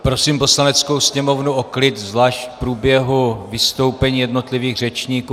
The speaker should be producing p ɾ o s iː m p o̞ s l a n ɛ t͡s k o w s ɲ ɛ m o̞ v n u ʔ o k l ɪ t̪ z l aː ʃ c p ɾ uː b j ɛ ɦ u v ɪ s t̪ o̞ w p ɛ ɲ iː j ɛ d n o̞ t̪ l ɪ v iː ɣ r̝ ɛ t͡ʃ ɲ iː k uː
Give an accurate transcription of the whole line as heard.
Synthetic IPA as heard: p ɾ o s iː m p o̞ s l a n ɛ t͡s k o w s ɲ ɛ m o̞ v n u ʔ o k l ɪ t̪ z l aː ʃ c p ɾ uː b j ɛ ɦ u v ɪ s t̪ o̞ w p ɛ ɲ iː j ɛ d n o̞ t̪ l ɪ v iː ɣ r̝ ɛ t͡ʃ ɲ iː k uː